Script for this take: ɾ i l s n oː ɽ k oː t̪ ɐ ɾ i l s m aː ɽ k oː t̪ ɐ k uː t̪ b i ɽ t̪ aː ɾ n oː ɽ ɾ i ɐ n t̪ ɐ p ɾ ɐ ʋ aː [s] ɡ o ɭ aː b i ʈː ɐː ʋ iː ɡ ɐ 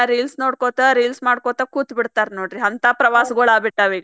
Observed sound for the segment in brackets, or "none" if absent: s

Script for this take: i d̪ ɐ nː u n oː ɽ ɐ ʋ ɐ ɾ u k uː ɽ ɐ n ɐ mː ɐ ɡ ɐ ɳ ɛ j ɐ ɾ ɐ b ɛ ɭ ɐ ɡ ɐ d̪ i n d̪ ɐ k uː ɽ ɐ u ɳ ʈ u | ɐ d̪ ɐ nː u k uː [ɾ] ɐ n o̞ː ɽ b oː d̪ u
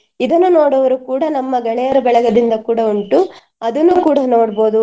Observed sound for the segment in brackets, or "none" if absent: ɽ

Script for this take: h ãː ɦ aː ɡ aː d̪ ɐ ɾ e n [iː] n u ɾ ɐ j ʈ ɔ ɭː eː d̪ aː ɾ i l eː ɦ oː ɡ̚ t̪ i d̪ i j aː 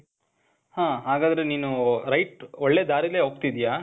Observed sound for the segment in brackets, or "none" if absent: iː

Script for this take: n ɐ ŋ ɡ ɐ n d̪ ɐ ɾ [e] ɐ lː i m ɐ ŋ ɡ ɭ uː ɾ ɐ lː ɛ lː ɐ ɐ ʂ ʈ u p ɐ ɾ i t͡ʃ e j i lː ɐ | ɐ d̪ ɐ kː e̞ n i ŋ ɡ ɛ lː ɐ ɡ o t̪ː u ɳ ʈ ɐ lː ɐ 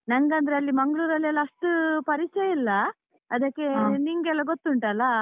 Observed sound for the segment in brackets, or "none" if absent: e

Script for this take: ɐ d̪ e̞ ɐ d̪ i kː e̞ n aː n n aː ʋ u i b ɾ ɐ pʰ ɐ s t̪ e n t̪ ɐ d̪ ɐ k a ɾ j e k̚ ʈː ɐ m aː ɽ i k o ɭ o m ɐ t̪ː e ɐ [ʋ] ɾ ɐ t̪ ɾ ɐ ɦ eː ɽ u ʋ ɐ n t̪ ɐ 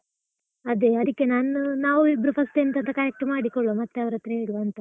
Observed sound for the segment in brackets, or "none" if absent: ʋ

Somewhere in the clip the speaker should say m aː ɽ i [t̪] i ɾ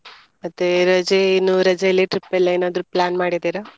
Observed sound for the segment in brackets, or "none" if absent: d̪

